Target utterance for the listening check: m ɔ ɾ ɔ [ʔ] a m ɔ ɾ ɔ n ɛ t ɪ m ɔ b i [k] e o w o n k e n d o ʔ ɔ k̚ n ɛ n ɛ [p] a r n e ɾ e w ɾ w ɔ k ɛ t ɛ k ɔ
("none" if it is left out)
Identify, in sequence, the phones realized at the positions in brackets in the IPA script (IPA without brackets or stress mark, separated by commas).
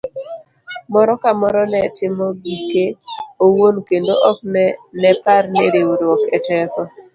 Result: k, k, p